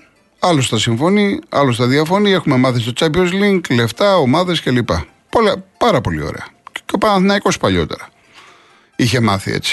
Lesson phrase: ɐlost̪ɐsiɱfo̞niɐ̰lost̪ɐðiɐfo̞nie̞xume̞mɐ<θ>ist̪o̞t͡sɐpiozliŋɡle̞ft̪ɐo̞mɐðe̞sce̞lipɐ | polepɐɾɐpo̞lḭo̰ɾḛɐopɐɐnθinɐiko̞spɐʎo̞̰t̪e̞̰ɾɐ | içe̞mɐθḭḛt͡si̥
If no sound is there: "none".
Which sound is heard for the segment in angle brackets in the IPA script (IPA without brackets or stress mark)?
θ